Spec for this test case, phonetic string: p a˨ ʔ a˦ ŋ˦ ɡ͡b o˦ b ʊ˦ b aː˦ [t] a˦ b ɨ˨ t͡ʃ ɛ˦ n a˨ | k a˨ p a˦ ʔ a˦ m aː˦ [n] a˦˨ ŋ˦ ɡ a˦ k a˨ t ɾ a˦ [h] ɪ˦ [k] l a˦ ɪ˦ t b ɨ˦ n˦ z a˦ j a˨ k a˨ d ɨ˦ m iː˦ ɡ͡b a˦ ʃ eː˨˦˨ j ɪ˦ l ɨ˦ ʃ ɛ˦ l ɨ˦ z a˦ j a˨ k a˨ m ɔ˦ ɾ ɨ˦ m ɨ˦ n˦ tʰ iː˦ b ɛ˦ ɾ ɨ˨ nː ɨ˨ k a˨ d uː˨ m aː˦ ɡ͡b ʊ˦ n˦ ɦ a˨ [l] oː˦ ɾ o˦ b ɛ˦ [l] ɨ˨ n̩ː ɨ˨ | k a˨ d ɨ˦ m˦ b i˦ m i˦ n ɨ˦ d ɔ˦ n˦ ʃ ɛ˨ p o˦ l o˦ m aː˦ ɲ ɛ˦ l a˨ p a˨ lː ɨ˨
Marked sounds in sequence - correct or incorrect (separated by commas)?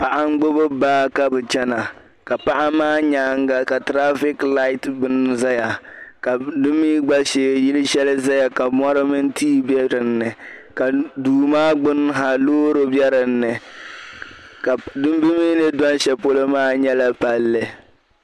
incorrect, incorrect, incorrect, correct, correct, incorrect